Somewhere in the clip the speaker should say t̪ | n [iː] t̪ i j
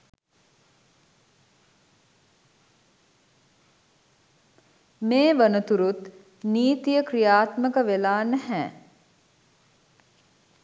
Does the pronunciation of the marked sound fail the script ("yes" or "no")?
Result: no